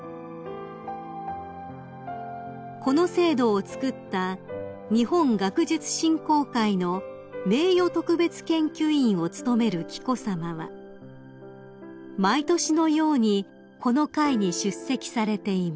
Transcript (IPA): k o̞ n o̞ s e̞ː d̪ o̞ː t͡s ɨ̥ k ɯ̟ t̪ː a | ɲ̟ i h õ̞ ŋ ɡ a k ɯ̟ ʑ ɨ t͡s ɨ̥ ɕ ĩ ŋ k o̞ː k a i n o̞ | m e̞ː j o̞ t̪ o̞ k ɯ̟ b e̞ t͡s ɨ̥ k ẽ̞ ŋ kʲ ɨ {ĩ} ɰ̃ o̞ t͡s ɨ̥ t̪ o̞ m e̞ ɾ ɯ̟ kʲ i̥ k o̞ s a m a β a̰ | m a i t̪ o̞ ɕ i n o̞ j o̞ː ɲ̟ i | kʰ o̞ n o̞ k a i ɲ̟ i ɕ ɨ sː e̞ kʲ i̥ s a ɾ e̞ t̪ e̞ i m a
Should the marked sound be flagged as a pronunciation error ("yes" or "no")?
no